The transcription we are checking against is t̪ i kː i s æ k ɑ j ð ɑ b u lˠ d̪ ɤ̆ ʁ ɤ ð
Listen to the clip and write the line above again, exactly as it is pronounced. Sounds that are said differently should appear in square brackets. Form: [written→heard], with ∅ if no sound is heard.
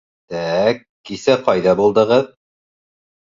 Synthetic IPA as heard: t̪ [i→æ] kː i s æ [k→q] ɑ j ð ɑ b u lˠ d̪ ɤ̆ ʁ ɤ ð